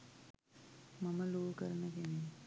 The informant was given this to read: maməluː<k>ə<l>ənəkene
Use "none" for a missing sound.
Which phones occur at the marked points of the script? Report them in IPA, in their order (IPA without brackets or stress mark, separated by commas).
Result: k, ɾ